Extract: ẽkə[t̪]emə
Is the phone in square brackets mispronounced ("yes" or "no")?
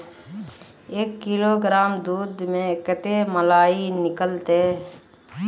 no